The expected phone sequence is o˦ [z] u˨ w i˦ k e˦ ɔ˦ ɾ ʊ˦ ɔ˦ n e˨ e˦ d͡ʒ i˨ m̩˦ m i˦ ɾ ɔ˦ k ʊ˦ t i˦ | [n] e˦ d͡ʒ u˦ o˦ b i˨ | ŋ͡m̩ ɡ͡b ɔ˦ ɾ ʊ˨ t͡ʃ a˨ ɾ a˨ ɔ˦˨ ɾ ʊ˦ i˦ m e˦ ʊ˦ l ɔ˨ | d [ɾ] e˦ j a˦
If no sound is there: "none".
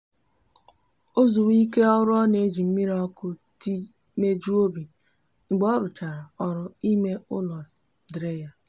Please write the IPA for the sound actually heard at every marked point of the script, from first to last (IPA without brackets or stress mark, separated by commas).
z, m, ɾ